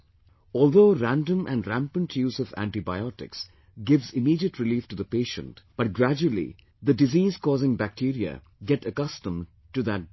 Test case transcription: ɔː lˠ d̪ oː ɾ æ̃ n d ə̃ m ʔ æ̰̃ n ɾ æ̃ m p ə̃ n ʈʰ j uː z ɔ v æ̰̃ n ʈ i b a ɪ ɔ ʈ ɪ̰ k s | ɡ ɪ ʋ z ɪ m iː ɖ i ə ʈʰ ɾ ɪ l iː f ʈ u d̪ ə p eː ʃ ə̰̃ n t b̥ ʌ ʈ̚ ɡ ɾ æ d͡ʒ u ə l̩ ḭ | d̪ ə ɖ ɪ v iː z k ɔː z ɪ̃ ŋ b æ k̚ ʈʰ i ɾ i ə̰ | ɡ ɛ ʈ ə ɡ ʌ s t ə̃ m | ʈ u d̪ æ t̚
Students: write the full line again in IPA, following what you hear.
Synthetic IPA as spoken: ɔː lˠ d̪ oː ɾ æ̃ n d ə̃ m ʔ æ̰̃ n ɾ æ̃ m p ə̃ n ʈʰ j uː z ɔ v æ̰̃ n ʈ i b a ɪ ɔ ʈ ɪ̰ k s | ɡ ɪ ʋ z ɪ m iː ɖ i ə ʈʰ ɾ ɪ l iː f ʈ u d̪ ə p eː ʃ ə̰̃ n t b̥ ʌ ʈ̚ ɡ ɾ æ d͡ʒ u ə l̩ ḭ | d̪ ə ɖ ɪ z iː z k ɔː z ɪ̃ ŋ b æ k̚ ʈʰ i ɾ i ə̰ | ɡ ɛ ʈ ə k ʌ s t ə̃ m | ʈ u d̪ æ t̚